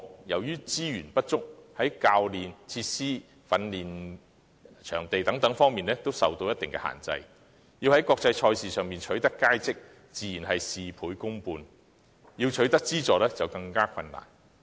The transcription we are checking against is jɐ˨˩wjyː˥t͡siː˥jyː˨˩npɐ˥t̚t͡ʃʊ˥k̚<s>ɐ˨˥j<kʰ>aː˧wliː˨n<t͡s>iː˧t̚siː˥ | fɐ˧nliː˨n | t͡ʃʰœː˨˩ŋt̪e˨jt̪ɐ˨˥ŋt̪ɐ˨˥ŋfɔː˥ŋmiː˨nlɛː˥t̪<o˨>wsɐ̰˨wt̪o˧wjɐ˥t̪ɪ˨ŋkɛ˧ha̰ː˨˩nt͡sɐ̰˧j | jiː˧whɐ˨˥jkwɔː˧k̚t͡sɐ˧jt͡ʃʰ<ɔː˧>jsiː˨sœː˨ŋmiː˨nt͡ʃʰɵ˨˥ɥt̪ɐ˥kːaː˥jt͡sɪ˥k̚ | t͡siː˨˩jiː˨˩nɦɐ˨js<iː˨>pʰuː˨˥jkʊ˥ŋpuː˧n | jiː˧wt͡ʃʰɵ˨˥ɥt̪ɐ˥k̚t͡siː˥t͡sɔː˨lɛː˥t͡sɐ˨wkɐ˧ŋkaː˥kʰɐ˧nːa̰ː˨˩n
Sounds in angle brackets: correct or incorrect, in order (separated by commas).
incorrect, incorrect, incorrect, incorrect, correct, correct